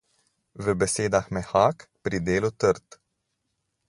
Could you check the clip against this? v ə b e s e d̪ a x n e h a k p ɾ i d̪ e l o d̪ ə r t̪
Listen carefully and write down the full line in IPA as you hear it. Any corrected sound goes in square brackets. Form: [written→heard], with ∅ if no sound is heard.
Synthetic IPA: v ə b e s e d̪ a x [n→m] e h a k p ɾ i d̪ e l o [d̪→t̪] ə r t̪